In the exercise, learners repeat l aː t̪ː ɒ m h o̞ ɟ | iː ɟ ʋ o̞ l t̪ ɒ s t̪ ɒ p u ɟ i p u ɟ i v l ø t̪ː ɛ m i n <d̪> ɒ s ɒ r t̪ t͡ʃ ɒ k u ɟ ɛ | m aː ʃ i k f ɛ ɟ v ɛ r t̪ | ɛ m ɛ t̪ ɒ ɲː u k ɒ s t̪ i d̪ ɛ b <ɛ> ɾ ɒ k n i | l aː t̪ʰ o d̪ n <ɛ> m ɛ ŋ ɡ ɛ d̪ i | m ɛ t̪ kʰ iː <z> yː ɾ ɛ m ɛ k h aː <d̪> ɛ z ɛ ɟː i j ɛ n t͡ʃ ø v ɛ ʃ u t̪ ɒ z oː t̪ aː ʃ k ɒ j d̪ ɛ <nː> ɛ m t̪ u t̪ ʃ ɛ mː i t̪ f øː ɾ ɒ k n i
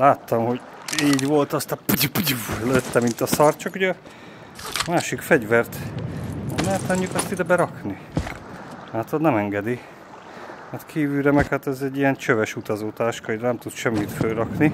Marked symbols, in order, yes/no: no, yes, yes, no, no, no

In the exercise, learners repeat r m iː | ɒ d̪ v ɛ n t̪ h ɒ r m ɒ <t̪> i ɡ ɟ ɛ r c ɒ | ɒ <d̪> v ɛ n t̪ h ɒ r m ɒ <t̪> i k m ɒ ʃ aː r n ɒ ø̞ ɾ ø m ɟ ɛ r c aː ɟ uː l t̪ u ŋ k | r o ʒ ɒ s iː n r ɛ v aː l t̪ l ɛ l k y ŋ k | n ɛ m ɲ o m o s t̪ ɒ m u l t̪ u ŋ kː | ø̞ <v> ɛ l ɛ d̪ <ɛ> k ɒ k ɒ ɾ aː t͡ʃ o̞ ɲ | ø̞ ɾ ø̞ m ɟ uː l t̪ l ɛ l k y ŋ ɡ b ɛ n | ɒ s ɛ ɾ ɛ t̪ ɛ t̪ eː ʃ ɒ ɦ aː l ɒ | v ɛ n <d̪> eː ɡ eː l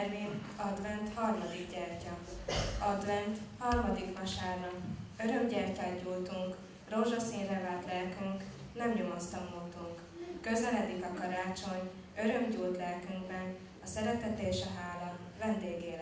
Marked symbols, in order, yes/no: no, yes, no, no, no, yes

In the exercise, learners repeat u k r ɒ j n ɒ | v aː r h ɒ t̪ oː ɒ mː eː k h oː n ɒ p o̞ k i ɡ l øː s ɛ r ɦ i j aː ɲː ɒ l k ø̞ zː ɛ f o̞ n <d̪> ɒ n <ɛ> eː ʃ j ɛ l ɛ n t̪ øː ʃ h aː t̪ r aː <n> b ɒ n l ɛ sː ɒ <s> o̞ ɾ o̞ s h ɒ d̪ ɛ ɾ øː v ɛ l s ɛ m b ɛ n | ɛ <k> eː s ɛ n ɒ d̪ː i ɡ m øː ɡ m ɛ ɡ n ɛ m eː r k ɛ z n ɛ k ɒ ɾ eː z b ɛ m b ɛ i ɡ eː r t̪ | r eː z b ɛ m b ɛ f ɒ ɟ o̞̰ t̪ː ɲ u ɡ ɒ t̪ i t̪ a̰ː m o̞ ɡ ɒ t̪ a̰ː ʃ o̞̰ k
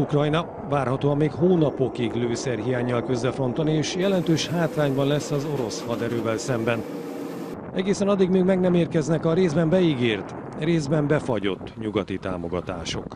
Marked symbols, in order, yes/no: no, no, no, no, no

